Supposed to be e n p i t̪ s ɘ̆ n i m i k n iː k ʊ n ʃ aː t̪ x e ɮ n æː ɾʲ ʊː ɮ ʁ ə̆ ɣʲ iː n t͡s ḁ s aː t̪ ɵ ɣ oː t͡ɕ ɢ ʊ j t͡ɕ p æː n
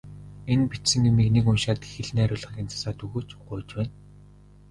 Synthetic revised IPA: e n p i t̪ s ɘ̆ ŋ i m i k n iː k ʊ n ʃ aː t̪ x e ɮ n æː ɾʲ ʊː ɮ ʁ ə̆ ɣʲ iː n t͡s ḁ s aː t̪ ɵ ɣ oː t͡ɕ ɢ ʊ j t͡ɕ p æː n